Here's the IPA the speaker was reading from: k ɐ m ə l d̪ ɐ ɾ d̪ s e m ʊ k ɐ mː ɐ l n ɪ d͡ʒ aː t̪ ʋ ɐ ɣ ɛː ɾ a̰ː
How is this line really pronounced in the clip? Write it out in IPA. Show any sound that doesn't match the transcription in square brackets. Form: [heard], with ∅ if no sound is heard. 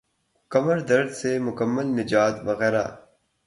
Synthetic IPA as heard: k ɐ m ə [ɾ] d̪ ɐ ɾ d̪ s e m ʊ k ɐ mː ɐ l n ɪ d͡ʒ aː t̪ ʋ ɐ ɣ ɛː ɾ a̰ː